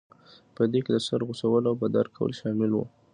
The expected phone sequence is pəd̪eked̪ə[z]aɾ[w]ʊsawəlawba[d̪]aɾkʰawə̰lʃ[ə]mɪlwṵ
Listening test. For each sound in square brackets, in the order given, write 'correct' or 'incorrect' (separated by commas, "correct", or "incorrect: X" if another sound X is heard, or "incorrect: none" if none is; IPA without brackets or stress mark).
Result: incorrect: s, incorrect: ɣ, correct, incorrect: ɑ